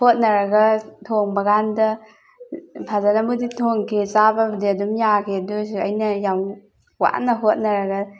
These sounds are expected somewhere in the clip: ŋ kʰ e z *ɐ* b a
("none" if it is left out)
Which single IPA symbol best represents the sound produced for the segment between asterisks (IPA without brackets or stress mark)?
a